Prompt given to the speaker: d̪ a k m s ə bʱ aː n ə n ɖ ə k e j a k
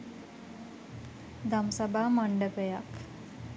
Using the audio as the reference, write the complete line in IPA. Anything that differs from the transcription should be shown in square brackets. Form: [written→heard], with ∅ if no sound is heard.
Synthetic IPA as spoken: d̪ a [k→∅] m s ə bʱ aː [n→m] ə [n→ɳ] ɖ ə [k→p] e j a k